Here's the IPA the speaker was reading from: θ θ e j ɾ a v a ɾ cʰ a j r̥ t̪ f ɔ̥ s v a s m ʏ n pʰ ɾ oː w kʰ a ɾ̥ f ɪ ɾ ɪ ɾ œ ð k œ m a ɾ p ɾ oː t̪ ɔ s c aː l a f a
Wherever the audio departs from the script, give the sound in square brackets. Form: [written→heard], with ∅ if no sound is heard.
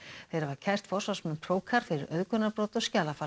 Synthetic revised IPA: θ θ e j ɾ a v a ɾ cʰ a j r̥ t̪ f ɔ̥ s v a s m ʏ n pʰ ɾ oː w kʰ a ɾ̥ f ɪ ɾ ɪ ɾ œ ð k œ [m→n] a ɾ p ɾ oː t̪ ɔ s c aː l a f a